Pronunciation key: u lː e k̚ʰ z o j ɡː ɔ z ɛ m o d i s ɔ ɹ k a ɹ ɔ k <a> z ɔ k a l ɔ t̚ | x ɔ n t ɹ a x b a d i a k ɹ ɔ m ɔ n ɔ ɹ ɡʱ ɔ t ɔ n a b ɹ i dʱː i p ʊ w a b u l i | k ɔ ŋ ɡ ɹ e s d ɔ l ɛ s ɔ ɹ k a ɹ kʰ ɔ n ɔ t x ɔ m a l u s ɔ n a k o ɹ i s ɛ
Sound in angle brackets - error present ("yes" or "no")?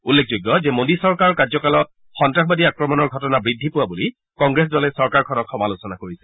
no